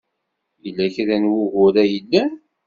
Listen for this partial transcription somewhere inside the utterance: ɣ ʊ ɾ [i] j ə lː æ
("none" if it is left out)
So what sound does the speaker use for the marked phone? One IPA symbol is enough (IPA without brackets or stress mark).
æ